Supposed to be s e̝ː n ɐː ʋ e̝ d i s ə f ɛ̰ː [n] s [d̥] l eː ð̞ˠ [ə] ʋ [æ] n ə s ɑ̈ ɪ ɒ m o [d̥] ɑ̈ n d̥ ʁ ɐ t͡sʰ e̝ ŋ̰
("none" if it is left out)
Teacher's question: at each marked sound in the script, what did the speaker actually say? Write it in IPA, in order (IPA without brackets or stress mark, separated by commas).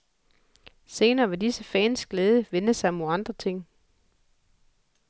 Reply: n, ɡ̥, ə, e, none